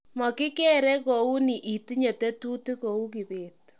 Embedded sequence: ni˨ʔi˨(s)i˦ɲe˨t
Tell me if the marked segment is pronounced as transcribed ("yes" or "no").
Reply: no